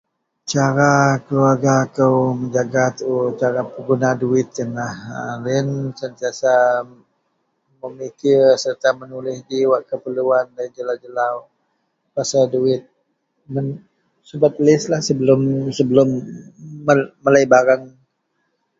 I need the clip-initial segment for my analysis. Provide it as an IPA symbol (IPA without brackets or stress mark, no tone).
t͡ʃ